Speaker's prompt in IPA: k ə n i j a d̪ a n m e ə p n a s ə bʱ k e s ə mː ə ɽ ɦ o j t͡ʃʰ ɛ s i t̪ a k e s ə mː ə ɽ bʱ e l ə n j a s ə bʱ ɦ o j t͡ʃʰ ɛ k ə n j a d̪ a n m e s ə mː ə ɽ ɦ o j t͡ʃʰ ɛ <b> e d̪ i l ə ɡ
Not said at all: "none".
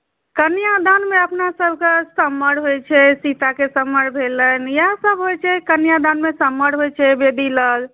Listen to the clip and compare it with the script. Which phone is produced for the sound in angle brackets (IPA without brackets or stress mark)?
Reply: b